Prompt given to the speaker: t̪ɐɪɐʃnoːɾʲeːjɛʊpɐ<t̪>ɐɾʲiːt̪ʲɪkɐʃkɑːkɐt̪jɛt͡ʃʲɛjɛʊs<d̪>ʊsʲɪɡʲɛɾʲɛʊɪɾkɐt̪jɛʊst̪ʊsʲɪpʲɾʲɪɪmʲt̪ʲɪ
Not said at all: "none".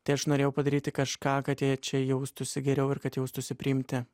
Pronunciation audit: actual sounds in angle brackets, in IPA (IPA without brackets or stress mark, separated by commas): d̪, t̪